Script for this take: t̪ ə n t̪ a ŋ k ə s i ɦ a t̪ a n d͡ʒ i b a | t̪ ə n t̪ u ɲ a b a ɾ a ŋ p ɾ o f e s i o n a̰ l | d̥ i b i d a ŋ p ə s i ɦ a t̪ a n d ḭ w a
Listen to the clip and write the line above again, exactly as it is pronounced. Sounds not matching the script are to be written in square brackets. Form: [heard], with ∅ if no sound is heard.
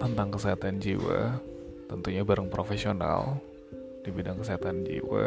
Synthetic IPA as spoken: t̪ ə n t̪ a ŋ k ə s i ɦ a t̪ a n d͡ʒ i [w] a | t̪ ə n t̪ u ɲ a b a ɾ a ŋ p ɾ o f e s i o n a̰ l | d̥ i b i d a ŋ [k] ə s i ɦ a t̪ a n [d͡ʒ] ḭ w a